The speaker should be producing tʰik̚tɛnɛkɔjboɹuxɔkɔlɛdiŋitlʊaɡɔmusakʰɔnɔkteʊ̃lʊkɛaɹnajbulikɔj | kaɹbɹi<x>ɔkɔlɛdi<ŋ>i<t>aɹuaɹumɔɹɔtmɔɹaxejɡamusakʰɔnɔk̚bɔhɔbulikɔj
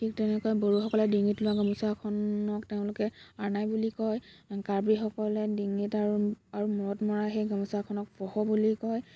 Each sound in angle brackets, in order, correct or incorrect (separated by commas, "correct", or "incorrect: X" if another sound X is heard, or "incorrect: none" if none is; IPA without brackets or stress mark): correct, correct, correct